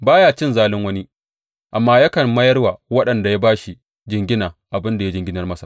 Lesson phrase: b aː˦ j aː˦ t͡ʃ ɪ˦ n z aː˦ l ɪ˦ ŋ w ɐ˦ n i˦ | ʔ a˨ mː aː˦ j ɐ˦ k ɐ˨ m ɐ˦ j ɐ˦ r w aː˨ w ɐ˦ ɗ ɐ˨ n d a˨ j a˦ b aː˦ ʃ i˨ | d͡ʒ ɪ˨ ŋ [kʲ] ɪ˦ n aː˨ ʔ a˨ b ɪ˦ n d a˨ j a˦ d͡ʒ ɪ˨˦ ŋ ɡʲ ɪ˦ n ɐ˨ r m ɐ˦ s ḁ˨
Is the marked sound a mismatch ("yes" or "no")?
yes